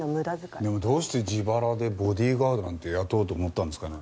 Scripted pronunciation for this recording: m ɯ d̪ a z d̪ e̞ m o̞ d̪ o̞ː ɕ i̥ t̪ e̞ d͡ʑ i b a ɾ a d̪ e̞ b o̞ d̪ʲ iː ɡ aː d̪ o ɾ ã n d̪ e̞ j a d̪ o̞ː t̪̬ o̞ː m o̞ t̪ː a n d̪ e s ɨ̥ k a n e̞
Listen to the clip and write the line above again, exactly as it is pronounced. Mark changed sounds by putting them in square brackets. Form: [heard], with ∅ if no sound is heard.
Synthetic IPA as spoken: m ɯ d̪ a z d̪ e̞ m o̞ d̪ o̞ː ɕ i̥ t̪ e̞ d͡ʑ i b a ɾ a d̪ e̞ b o̞ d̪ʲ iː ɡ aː d̪ o ɾ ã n [t̪] e̞ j a [t̪] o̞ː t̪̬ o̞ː m o̞ t̪ː a n d̪ e s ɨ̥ k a n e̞